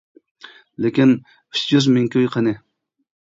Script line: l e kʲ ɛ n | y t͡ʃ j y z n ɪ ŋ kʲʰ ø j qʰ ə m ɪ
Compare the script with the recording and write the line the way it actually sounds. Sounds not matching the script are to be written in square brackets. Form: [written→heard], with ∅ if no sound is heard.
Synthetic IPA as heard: l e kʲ [ɛ→i] n | y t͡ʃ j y z [n→m] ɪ ŋ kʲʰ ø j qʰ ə [m→n] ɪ